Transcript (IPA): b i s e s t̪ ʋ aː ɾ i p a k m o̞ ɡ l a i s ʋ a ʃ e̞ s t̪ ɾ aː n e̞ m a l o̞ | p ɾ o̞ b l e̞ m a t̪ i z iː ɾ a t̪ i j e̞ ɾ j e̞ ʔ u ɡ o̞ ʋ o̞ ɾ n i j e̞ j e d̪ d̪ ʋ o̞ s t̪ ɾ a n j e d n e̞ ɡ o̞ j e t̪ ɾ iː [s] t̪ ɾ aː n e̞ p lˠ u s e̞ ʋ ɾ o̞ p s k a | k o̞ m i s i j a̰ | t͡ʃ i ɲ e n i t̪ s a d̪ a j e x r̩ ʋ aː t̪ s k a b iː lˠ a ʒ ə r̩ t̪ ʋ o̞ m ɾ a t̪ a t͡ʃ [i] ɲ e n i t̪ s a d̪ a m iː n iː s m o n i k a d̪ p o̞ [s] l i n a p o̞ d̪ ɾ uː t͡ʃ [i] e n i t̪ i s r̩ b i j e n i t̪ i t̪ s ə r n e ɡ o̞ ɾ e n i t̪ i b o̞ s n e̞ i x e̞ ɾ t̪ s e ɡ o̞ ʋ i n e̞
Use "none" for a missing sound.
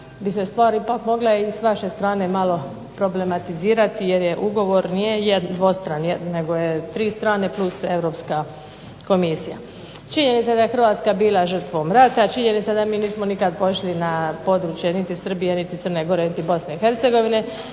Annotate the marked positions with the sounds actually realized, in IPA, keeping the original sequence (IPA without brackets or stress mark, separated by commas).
s, i, ʃ, j